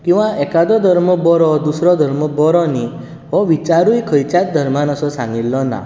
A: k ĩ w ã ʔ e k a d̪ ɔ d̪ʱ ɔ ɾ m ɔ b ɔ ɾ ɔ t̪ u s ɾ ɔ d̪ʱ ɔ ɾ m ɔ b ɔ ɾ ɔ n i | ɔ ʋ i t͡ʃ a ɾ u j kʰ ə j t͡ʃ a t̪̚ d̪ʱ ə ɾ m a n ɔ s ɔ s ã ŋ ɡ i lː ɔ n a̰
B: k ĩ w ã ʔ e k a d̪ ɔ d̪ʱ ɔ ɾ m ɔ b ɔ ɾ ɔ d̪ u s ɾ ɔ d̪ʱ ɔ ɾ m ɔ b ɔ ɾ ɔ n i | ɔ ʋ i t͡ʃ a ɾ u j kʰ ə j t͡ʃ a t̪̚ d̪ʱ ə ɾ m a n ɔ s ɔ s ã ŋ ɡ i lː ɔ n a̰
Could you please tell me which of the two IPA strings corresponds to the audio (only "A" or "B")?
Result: B